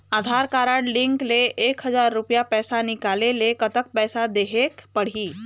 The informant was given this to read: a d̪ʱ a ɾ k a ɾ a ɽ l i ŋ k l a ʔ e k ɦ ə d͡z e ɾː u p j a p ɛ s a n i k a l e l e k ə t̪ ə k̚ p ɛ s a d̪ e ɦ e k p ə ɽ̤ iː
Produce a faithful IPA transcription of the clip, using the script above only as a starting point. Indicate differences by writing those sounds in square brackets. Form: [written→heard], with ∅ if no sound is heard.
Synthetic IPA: a d̪ʱ a ɾ k a ɾ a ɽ l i ŋ k l [a→e] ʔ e k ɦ ə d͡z [e→a] ɾː u p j a p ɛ s a n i k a l e l e k ə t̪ ə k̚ p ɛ s a d̪ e ɦ e k p ə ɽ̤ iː